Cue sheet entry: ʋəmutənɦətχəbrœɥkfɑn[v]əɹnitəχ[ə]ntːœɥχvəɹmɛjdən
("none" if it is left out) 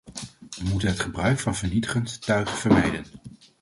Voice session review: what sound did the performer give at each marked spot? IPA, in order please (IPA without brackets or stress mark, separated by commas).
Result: v, ə